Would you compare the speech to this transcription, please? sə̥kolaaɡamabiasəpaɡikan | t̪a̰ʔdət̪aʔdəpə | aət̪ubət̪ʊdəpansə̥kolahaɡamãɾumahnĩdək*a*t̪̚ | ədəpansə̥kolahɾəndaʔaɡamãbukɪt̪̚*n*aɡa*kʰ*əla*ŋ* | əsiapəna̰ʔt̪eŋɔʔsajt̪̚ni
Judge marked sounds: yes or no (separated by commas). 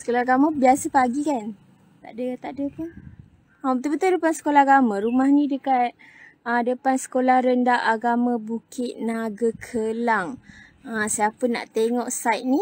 yes, yes, yes, yes